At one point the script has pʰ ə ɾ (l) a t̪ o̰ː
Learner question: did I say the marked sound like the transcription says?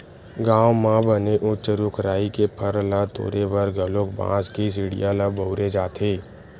yes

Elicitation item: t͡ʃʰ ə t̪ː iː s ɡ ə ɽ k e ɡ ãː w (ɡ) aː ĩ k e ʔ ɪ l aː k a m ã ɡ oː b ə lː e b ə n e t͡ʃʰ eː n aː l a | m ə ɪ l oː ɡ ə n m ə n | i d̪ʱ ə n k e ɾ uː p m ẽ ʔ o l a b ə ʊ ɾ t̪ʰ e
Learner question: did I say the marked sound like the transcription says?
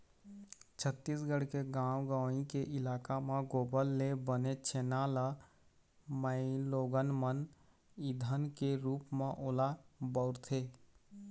yes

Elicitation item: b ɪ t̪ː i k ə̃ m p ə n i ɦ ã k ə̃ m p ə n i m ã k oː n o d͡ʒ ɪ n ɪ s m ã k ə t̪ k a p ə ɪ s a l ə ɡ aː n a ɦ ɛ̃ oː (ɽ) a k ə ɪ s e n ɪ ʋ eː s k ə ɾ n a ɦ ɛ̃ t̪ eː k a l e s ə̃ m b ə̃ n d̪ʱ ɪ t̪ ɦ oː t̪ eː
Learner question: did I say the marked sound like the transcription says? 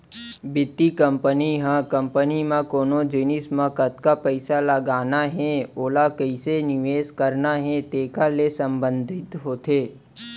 no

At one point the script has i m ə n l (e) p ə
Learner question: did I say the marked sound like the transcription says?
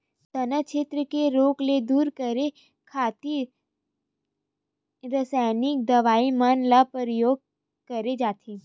no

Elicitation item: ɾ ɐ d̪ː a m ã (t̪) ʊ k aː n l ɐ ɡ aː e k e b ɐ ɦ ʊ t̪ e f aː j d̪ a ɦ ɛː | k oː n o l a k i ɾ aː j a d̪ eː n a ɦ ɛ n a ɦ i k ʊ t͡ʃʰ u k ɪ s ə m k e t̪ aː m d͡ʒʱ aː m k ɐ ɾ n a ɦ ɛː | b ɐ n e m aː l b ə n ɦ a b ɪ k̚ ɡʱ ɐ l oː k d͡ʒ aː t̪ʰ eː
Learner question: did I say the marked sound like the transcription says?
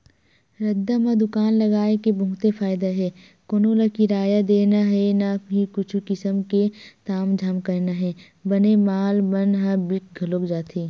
no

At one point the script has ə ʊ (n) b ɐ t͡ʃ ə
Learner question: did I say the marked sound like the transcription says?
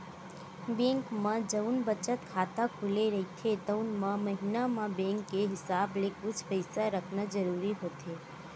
yes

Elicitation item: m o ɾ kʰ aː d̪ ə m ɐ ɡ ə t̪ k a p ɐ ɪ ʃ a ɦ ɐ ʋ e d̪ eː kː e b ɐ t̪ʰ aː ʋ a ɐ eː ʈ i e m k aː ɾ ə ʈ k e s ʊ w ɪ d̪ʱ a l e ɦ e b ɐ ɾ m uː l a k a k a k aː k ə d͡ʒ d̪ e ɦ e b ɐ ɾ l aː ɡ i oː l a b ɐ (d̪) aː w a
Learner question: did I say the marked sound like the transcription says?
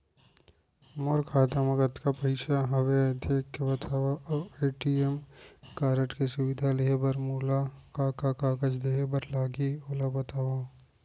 no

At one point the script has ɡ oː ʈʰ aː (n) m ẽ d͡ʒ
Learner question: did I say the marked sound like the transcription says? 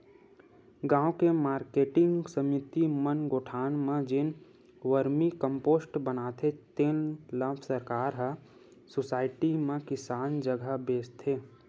yes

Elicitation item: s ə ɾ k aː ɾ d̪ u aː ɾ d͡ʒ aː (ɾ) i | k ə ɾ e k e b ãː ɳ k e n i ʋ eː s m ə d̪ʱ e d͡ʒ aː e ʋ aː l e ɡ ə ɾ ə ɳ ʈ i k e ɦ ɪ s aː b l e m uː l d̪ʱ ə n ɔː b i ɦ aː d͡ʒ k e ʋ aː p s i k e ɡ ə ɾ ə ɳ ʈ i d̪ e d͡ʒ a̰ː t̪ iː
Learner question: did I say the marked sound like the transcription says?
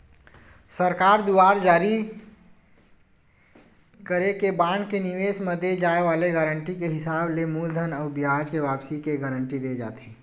yes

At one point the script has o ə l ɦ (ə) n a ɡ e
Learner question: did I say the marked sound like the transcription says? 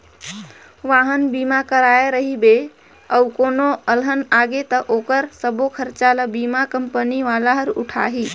yes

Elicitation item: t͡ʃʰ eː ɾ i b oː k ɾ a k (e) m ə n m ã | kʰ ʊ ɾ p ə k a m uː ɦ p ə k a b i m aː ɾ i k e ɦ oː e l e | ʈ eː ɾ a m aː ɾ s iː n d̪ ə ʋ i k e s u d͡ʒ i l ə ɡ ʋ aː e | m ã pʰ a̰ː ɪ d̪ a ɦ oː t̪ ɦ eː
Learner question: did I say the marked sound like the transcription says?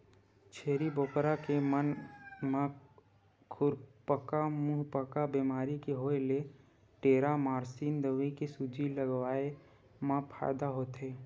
yes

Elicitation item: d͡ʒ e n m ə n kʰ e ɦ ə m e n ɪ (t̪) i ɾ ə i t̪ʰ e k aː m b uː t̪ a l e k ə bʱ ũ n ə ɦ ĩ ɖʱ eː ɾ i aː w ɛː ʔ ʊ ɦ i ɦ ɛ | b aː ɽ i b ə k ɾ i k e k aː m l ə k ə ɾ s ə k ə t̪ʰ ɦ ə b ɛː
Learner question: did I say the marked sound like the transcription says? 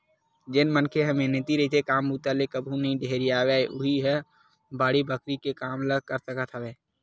yes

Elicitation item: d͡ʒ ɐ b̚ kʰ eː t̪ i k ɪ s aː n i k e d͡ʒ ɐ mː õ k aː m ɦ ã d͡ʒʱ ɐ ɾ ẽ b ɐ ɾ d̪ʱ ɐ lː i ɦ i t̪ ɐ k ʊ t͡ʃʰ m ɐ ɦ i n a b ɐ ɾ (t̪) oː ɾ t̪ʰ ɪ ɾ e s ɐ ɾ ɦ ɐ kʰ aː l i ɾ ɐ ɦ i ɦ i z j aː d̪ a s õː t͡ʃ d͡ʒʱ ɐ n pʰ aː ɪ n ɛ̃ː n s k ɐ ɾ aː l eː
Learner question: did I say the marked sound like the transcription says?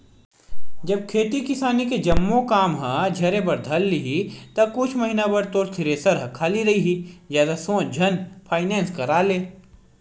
yes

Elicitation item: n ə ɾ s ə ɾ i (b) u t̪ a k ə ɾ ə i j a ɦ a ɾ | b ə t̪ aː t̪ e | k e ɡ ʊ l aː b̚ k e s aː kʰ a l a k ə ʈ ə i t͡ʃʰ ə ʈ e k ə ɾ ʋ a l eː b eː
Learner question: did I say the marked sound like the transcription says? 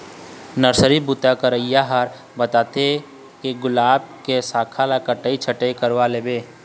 yes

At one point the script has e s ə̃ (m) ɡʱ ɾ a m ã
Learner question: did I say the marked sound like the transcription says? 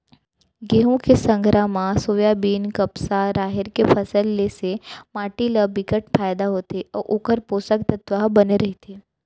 no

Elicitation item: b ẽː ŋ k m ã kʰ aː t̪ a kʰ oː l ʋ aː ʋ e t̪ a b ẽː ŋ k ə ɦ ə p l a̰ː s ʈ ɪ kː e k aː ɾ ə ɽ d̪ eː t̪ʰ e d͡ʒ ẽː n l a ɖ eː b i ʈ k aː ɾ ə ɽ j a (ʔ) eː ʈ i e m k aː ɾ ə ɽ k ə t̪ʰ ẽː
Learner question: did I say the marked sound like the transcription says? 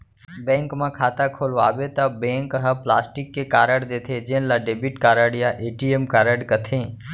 yes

